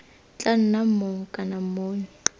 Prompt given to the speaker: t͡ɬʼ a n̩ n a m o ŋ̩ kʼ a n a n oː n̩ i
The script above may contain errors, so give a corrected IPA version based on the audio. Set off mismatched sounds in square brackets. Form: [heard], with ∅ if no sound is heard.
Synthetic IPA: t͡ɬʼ a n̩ n a m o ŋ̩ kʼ a n a [m] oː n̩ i

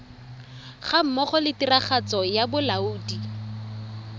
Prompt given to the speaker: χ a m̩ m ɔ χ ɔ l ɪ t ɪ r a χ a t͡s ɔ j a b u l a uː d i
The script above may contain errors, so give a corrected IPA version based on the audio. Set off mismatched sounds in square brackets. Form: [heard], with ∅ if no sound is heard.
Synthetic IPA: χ a m̩ m ɔ χ ɔ l ɪ t [i] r a χ a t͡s ɔ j a b [ʊ] l a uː d i

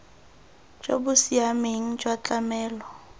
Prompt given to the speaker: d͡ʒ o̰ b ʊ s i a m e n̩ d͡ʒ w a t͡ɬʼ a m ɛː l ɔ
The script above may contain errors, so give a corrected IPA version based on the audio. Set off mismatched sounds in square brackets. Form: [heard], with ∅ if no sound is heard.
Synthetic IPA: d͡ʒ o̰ b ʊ s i a m e [ŋ̩] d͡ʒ w a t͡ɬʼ a m ɛː l ɔ

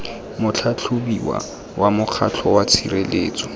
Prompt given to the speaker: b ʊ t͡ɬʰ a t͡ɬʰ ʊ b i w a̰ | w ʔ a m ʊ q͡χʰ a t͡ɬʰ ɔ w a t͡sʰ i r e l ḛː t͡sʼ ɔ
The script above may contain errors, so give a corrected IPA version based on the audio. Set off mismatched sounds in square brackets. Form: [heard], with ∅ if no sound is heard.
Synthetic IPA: [m] ʊ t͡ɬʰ a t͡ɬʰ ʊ b i w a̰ | w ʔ a m ʊ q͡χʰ a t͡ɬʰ ɔ w a t͡sʰ i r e l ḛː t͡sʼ ɔ

